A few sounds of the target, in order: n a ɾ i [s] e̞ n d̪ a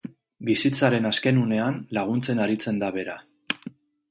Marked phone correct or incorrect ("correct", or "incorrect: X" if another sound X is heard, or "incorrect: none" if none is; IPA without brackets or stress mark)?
incorrect: t͡s